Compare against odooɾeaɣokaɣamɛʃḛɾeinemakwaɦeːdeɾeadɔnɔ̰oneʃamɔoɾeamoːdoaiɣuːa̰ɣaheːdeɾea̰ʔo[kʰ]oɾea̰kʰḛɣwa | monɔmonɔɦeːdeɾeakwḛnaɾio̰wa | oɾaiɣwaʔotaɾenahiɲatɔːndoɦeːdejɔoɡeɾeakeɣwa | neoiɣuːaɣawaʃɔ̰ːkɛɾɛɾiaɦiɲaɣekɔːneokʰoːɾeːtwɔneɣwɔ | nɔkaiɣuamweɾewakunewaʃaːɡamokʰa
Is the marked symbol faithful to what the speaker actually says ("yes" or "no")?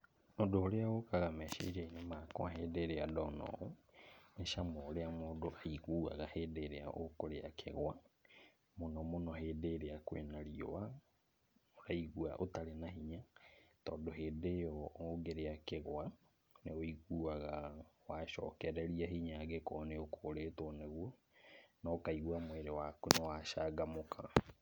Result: no